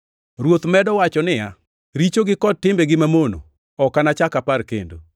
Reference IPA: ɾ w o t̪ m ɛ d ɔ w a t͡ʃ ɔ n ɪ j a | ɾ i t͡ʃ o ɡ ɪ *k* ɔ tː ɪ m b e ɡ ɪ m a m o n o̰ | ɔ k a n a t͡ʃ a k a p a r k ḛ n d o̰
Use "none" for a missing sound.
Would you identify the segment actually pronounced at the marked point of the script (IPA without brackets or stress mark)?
k